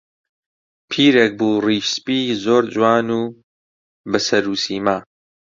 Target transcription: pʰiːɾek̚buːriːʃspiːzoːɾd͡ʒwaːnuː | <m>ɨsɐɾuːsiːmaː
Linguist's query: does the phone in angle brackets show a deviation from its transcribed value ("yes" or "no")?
yes